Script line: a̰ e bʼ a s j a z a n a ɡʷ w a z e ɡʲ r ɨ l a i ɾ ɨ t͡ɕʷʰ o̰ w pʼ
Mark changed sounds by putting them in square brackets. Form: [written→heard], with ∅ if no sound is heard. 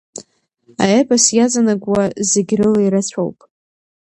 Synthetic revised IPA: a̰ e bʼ a s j a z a n a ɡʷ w a z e ɡʲ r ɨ l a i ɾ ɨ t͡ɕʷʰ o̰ w pʼ